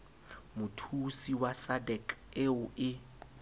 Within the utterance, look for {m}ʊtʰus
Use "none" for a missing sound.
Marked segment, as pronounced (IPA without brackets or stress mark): m